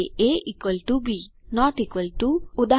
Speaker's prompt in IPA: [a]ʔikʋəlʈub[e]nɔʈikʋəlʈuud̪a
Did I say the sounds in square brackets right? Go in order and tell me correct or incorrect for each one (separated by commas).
incorrect, incorrect